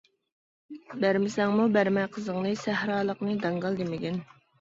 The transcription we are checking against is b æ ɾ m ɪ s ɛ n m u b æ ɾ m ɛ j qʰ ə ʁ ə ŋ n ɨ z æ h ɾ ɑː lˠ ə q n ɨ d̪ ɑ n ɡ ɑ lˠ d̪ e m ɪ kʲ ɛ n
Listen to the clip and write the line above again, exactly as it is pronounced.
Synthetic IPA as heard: b æ ɾ m ɪ s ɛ ŋ m u b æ ɾ m ɛ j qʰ ə z ə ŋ n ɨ s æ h ɾ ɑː lˠ ə q n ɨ d̪ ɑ ŋ ɡ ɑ lˠ d̪ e m ɪ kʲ ɛ n